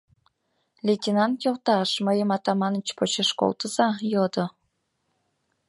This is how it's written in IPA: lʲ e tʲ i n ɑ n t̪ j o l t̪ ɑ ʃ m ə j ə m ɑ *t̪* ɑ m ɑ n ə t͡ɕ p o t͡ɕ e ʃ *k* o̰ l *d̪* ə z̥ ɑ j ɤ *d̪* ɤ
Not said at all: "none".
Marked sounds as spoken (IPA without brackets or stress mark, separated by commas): t̪, k, t̪, d̪